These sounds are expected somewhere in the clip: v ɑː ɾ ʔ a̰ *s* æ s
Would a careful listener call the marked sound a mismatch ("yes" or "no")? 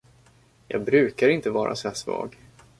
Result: no